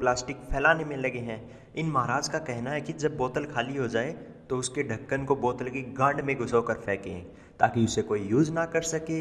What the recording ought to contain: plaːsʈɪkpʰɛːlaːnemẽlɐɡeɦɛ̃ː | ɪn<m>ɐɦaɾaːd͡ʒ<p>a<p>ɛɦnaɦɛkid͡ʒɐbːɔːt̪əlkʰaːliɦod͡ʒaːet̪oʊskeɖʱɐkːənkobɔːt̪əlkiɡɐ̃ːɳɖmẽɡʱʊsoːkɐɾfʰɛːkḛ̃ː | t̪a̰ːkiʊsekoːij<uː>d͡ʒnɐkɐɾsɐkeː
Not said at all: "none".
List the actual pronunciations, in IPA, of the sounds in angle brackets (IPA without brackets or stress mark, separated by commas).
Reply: m, k, k, uː